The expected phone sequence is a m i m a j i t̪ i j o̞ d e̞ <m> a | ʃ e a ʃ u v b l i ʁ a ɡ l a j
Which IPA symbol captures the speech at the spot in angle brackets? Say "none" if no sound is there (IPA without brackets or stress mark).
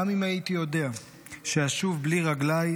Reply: none